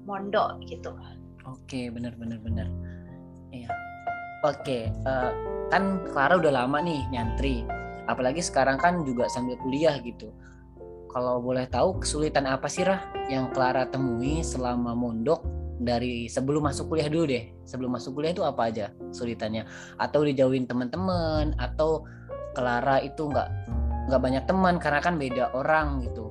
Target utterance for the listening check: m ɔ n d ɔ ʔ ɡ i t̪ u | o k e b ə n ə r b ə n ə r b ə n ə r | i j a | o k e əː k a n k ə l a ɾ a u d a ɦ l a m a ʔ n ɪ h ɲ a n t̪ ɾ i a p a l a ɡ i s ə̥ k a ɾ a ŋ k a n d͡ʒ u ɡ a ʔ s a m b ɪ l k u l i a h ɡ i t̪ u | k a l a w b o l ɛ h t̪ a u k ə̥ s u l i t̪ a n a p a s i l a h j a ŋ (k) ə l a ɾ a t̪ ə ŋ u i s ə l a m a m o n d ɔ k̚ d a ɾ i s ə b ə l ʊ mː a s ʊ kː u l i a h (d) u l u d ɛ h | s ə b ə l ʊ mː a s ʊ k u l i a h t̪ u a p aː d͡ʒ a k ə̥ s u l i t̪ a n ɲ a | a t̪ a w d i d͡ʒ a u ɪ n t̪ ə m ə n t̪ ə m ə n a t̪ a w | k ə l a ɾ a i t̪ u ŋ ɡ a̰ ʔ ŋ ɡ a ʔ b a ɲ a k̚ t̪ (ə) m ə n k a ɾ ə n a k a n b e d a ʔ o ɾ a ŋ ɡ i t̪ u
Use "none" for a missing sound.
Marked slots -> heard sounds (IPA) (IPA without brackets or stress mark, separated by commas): k, d, ə